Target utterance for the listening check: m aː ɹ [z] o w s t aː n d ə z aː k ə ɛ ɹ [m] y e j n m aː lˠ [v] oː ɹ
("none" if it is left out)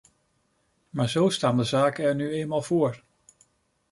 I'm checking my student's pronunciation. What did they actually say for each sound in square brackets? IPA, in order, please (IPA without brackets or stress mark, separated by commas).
z, n, v